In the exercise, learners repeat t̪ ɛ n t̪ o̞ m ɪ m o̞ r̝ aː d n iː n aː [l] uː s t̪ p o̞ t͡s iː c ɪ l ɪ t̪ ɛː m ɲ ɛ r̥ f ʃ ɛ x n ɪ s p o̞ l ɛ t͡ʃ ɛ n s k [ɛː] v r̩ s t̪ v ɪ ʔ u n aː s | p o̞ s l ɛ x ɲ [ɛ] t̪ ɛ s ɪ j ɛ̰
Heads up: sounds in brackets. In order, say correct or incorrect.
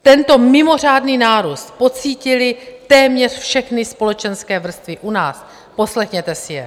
incorrect: ɾ, correct, correct

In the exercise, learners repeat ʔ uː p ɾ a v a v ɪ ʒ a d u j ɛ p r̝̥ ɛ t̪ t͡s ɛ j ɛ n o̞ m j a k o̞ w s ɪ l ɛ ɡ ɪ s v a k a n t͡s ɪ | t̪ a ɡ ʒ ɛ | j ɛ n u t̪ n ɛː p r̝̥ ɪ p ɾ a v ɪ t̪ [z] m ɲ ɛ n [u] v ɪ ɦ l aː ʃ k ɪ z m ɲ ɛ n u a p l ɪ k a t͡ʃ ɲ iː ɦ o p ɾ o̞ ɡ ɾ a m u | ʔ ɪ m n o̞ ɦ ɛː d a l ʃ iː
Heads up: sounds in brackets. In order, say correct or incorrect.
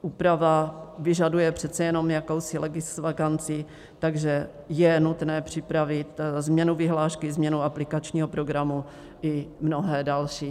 correct, correct

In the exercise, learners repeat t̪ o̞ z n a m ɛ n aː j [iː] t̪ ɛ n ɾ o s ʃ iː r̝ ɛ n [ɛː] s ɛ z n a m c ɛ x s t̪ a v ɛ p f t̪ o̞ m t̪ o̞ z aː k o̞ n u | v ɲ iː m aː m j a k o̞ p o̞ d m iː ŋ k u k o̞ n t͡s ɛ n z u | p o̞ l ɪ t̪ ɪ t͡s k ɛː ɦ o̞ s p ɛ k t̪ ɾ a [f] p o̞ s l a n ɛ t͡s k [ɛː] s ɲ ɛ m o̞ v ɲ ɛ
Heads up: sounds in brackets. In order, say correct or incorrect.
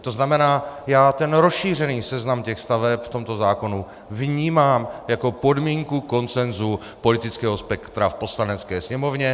incorrect: aː, incorrect: iː, correct, correct

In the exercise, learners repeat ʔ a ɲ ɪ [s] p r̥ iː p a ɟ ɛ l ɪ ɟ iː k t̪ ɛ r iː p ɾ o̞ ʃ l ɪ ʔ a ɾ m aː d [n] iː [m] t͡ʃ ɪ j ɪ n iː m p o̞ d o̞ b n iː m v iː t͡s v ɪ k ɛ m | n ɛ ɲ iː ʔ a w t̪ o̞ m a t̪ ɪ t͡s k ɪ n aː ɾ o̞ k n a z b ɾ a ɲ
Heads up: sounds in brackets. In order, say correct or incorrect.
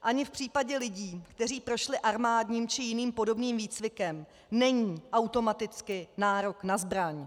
incorrect: f, incorrect: ɲ, correct

